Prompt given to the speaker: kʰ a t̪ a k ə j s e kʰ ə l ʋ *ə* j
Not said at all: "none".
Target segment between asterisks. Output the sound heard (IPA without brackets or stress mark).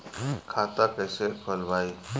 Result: a